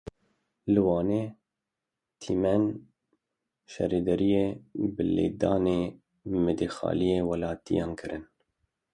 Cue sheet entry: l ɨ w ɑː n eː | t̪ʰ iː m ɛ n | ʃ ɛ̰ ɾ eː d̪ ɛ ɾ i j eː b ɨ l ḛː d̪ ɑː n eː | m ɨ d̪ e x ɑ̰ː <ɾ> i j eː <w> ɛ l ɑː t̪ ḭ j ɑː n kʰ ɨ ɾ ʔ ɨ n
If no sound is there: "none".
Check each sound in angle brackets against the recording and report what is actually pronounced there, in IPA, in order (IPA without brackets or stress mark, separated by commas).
l, w